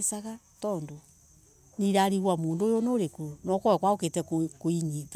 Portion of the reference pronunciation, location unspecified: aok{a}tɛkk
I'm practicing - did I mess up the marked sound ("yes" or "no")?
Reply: yes